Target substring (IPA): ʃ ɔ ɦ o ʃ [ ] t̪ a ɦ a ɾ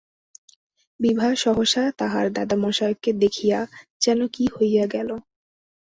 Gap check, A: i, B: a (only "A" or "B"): B